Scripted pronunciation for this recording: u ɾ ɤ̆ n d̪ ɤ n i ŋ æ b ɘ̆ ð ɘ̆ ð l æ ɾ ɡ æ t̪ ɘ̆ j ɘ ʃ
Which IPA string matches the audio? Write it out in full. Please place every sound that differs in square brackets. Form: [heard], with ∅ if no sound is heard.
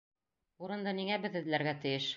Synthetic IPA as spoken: u ɾ ɤ̆ n d̪ ɤ n i ŋ æ b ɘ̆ ð ɘ̆ ð l æ ɾ ɡ æ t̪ ɘ̆ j ɘ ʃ